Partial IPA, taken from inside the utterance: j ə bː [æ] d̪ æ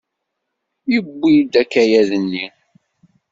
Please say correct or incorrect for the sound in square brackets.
incorrect